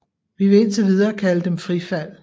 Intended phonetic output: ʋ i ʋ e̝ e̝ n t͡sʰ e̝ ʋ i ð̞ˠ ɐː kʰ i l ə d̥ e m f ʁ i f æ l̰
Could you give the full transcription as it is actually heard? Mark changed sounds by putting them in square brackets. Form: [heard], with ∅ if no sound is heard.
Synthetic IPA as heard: ʋ i ʋ e̝ e̝ n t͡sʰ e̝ ʋ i ð̞ˠ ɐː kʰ [æ] l ə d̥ e m f ʁ i f æ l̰